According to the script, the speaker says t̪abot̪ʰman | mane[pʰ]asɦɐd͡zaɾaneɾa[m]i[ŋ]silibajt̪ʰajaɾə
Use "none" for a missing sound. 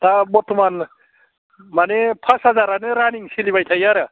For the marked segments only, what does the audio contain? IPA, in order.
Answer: pʰ, n, ŋ

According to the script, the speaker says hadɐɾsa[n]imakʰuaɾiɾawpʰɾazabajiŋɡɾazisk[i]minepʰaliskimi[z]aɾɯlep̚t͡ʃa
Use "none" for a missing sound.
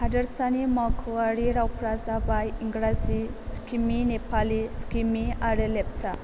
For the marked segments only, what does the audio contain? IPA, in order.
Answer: n, i, none

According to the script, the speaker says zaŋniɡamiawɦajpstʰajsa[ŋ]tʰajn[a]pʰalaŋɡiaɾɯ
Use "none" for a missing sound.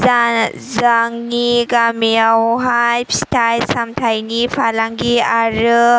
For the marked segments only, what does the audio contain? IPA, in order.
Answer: m, i

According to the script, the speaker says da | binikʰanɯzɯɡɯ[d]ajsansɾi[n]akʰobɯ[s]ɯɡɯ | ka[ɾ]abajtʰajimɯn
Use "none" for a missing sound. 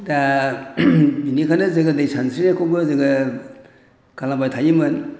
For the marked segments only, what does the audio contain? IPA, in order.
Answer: d, n, z, l

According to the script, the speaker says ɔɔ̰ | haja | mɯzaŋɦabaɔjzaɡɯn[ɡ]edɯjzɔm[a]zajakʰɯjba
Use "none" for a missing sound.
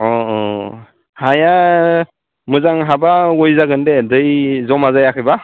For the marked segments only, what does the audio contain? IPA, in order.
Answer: d, a

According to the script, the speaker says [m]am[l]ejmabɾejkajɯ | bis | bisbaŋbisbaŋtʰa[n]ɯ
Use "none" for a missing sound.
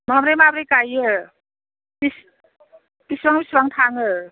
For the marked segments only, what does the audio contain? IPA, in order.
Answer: m, ɾ, ŋ

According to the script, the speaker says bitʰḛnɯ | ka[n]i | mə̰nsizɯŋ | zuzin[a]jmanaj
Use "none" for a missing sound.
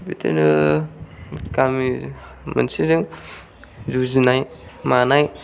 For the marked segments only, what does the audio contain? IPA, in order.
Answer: m, a

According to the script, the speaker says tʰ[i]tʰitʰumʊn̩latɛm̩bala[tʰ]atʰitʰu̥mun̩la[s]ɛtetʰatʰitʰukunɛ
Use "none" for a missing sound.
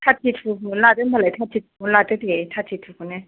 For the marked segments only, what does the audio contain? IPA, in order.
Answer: a, tʰ, t

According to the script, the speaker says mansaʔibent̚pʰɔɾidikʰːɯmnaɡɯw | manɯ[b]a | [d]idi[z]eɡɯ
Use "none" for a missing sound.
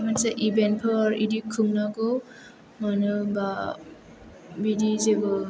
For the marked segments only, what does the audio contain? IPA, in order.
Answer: b, b, z

